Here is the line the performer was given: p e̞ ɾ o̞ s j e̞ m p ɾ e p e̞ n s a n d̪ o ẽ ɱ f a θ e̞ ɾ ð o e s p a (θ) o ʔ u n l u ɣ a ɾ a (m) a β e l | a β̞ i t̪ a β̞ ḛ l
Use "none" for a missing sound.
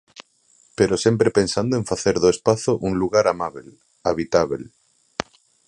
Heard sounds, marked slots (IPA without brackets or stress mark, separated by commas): θ, m